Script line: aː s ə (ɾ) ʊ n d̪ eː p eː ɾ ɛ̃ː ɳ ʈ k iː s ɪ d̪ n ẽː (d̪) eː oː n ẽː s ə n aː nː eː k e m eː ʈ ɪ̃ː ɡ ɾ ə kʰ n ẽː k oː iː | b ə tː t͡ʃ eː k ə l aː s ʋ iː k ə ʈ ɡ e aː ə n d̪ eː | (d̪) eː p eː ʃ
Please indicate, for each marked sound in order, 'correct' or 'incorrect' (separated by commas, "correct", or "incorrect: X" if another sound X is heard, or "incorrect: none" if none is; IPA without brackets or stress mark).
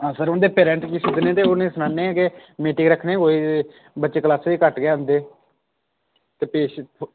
correct, incorrect: t̪, incorrect: t̪